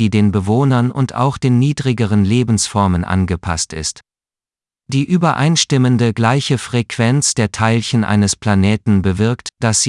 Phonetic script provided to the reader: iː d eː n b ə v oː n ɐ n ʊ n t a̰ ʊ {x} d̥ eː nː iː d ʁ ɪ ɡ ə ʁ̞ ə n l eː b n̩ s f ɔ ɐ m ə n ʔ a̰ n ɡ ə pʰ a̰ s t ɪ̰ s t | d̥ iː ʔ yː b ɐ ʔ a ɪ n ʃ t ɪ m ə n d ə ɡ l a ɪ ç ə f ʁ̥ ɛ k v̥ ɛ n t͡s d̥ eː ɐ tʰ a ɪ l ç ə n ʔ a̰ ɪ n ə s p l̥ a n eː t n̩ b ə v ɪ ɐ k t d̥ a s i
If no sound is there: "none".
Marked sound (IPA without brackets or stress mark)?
x